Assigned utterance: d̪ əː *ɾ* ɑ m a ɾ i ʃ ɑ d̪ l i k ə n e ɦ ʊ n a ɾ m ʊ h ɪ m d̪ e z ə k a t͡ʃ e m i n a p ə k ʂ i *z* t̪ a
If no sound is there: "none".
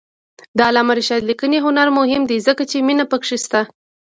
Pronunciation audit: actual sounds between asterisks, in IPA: l, s

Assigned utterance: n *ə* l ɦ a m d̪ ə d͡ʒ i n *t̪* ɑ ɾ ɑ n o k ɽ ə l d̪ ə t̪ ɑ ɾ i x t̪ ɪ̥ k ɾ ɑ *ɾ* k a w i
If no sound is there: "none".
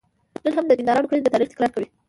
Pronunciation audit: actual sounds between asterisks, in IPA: ə, d̪, ɾ

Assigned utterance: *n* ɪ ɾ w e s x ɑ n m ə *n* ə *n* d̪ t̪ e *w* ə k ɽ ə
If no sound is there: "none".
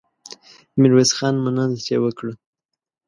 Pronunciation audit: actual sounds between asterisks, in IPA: m, n, n, w

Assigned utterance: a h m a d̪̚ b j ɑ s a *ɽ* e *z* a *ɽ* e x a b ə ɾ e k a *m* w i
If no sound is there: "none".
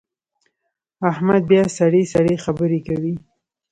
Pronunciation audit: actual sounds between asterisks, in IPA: ɽ, s, ɽ, none

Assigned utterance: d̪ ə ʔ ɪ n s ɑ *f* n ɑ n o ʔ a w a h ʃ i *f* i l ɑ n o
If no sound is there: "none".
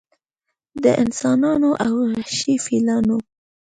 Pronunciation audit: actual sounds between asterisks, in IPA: none, f

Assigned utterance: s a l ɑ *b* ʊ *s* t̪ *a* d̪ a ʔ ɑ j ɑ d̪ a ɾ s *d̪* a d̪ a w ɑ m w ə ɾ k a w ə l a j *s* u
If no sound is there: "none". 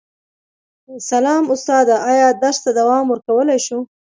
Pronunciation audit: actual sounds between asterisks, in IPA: m, s, ɑ, t̪, ʃ

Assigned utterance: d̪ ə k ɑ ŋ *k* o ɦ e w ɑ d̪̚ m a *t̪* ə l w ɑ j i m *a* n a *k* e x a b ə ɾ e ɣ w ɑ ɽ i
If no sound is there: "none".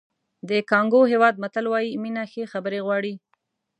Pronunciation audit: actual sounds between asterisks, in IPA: ɡ, t̪, i, x

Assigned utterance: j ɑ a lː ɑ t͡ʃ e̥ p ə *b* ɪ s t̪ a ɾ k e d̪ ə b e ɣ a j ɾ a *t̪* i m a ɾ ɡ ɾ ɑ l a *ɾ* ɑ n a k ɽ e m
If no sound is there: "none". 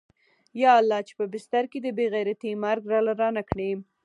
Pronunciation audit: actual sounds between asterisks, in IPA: b, t̪, ɾ

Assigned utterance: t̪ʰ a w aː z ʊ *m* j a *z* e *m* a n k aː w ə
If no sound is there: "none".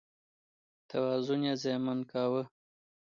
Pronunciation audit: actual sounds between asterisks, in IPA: n, z, m

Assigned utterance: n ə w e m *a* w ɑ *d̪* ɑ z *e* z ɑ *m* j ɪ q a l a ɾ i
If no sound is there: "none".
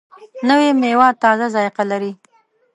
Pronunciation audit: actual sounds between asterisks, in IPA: e, t̪, a, none

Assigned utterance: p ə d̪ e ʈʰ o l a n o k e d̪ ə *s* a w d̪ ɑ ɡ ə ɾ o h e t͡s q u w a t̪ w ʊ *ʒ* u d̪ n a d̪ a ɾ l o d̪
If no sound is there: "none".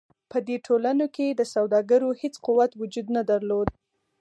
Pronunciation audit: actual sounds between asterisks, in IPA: s, d͡ʒ

